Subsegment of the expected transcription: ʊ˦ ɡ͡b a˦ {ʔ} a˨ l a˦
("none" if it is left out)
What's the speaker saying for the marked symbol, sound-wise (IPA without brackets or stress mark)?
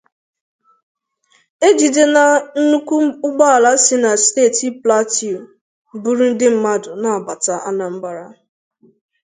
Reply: none